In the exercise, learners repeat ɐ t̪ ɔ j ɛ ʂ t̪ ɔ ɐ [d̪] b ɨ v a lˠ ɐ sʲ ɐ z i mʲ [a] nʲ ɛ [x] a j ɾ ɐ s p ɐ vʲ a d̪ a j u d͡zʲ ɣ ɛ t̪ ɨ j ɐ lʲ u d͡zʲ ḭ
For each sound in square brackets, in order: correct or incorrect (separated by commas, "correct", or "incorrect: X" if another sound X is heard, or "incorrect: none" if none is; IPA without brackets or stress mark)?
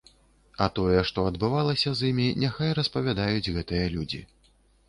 correct, incorrect: i, correct